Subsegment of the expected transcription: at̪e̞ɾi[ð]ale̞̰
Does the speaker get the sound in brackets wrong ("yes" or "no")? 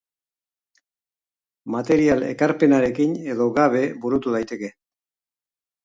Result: yes